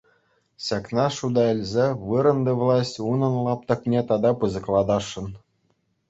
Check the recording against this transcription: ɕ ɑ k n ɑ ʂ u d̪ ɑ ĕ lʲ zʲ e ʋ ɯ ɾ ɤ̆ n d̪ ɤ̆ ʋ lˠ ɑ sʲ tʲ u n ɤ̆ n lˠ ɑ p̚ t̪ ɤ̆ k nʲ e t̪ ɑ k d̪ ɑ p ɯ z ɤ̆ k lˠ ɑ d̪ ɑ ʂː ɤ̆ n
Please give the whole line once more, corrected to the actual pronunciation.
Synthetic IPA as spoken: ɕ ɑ k n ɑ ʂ u d̪ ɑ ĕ lʲ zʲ e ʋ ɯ ɾ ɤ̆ n d̪ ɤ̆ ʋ lˠ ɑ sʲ tʲ u n ɤ̆ n lˠ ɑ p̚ t̪ ɤ̆ k nʲ e t̪ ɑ d̪ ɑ p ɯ z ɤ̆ k lˠ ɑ d̪ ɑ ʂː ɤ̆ n

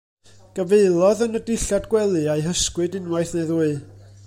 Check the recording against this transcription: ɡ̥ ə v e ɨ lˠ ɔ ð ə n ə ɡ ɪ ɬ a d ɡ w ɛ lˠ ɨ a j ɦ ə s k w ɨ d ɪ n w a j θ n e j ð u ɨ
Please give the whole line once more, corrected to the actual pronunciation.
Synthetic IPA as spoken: ɡ̥ ə v e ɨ lˠ ɔ ð ə n ə d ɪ ɬ a d ɡ w ɛ lˠ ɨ a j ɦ ə s k w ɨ d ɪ n w a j θ n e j ð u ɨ

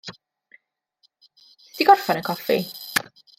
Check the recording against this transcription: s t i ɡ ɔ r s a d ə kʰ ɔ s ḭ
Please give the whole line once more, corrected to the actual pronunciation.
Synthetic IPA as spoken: s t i ɡ ɔ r f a n ə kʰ ɔ f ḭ

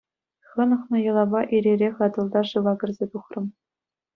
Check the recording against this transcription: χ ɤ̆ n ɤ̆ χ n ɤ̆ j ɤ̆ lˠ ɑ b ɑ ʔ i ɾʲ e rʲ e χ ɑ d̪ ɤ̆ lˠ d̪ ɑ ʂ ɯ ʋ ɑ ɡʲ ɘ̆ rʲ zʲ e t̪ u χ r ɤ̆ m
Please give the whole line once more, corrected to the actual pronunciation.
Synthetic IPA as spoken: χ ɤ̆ n ɤ̆ χ n ɤ̆ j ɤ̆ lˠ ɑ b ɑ ʔ i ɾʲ e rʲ e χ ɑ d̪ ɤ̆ lˠ d̪ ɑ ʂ ɯ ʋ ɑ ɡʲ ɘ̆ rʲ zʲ e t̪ u χ r ɤ̆ m

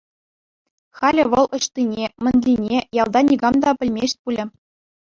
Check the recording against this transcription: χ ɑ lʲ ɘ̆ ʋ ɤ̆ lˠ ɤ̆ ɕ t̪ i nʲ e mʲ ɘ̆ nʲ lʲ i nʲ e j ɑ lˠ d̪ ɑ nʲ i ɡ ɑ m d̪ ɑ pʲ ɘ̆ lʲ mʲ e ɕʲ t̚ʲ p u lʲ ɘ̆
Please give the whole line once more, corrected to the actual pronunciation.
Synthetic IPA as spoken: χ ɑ lʲ ɘ̆ ʋ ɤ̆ lˠ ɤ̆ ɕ t̪ i nʲ e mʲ ɘ̆ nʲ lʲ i nʲ e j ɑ lˠ d̪ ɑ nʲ i ɡ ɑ m d̪ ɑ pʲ ɘ̆ lʲ mʲ e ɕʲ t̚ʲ p u lʲ ɘ̆

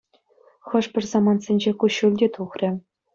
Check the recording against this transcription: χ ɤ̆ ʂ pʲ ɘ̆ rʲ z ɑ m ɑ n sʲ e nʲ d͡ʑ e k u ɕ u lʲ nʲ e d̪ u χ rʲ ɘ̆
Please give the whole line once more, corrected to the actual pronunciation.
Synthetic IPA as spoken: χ ɤ̆ ʂ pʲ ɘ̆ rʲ z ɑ m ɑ n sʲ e nʲ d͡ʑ e k u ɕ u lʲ dʲ e t̪ u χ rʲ ɘ̆

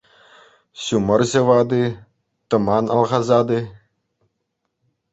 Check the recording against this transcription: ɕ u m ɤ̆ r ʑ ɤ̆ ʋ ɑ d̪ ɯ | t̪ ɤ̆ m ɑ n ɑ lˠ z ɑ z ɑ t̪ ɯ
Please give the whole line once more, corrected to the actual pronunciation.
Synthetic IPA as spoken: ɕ u m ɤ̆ r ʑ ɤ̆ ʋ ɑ d̪ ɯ | t̪ ɤ̆ m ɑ n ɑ lˠ ʁ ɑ z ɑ d̪ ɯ

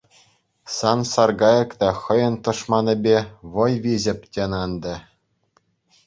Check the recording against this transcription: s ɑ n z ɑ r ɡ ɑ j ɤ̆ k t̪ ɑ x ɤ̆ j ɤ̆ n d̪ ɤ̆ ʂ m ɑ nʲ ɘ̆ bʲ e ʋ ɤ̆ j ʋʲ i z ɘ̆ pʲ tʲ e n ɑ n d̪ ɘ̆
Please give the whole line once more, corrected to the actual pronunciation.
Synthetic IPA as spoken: s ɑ n s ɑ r ɡ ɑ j ɤ̆ k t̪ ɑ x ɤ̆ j ɤ̆ n t̪ ɤ̆ ʂ m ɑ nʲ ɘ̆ bʲ e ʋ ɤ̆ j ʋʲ i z ɘ̆ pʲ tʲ e n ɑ n d̪ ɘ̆

